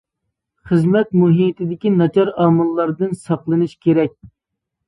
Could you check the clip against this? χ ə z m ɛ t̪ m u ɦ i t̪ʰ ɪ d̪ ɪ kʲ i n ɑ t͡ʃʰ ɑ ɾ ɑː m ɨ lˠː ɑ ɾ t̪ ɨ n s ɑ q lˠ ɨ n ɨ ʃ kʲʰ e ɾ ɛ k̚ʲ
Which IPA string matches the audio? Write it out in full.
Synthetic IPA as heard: χ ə z m ɛ t̪ m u ɦ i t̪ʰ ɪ d̪ ɪ kʲ i n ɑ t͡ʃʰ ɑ ɾ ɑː m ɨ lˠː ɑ ɾ d̪ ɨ n s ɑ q lˠ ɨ n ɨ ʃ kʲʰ e ɾ ɛ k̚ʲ

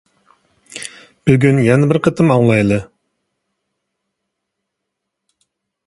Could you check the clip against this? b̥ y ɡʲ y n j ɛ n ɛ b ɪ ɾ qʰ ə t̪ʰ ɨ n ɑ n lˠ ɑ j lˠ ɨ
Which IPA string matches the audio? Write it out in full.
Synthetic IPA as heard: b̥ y ɡʲ y n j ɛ n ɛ b ɪ ɾ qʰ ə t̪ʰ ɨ m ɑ ŋ lˠ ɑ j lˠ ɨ

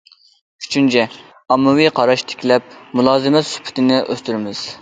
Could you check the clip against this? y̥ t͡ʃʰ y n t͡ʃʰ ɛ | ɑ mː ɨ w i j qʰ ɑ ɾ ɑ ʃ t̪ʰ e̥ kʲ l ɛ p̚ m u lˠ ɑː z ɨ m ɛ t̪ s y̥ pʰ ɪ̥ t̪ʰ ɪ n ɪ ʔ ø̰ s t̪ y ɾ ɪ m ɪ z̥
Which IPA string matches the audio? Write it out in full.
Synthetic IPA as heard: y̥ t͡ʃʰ y n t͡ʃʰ ɛ | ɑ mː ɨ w i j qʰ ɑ ɾ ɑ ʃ t̪ʰ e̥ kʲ l ɛ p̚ m u lˠ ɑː z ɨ m ɛ t̪ s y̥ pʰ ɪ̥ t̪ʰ ɪ n ɪ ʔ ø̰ s t̪ y ɾ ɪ m ɪ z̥

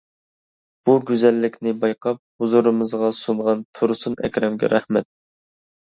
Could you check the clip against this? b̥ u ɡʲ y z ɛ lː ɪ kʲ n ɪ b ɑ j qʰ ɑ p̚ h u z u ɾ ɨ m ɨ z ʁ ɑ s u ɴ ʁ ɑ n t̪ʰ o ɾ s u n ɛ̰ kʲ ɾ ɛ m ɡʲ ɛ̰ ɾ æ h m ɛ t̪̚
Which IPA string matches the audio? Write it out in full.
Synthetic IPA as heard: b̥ u ɡʲ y z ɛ lː ɪ kʲ n ɪ b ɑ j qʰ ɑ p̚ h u z u ɾ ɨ m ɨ z ʁ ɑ s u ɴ ʁ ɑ n t̪ʰ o ɾ s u n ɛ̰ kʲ ɾ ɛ m ɡʲ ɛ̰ ɾ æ h m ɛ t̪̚

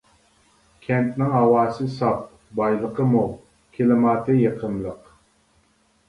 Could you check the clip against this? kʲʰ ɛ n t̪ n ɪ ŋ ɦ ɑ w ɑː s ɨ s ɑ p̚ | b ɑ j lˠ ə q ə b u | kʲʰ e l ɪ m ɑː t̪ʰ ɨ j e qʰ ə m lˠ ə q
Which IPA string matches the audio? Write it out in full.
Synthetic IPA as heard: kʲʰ ɛ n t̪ n ɪ ŋ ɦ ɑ w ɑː s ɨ s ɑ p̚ | b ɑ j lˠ ə q ə m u | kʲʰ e l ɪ m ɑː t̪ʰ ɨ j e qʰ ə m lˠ ə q

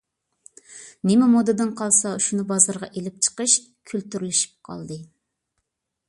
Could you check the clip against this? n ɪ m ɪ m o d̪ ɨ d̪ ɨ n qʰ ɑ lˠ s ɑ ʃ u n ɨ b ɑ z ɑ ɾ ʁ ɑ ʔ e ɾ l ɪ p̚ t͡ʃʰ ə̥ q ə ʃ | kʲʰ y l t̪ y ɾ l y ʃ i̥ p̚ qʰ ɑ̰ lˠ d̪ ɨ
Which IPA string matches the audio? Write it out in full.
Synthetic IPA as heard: n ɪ m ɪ m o d̪ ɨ d̪ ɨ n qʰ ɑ lˠ s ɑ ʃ u n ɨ b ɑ z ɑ ɾ ʁ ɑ ʔ e l ɪ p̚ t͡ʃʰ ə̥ q ə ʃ | kʲʰ y l t̪ y ɾ l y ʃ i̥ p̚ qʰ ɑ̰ lˠ d̪ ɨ

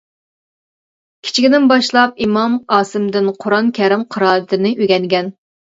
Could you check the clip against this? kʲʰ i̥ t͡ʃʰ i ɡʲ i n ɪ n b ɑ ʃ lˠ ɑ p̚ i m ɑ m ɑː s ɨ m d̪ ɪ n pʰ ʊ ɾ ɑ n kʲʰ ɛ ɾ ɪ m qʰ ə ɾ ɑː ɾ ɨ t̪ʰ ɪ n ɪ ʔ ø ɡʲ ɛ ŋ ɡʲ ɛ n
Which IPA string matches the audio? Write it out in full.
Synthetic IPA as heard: kʲʰ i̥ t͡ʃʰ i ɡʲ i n ɪ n b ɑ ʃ lˠ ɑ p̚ i m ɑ m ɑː s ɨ m d̪ ɪ n qʰ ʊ ɾ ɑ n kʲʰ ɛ ɾ ɪ m qʰ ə ɾ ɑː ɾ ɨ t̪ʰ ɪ n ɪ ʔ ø ɡʲ ɛ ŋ ɡʲ ɛ n

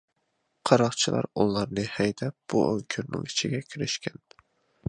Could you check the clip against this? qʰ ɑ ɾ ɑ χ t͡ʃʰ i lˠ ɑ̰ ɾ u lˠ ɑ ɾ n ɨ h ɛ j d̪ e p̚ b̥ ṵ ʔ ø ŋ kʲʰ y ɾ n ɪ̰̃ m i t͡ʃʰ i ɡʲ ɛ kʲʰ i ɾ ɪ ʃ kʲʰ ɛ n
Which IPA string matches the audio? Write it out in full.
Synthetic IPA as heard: qʰ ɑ ɾ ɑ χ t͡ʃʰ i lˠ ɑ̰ ɾ u lˠ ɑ ɾ n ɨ h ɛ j d̪ ɛ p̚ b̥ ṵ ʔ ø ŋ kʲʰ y ɾ n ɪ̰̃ ŋ i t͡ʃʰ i ɡʲ ɛ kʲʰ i ɾ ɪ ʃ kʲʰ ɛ n

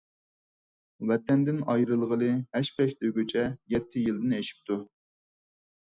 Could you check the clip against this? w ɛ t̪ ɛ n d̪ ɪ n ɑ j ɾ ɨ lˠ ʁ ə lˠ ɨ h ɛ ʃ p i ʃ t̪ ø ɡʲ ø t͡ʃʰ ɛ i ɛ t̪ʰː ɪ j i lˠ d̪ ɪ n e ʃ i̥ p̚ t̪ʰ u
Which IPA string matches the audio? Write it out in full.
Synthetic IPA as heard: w ɛ t̪ ɛ n d̪ ɪ n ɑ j ɾ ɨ lˠ ʁ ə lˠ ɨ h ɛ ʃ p ɛ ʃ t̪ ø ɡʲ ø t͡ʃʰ ɛ j ɛ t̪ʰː ɪ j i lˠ d̪ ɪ n e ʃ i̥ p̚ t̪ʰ u

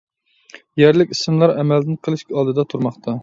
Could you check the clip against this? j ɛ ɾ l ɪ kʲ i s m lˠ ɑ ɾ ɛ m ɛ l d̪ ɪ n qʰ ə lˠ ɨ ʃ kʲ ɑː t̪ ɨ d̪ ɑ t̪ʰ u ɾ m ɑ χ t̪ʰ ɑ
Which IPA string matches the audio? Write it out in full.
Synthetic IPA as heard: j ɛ ɾ l ɪ kʲ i s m lˠ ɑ ɾ ɛ m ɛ l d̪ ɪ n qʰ ə lˠ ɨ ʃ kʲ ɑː d̪ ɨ d̪ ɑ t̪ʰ u ɾ m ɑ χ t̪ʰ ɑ

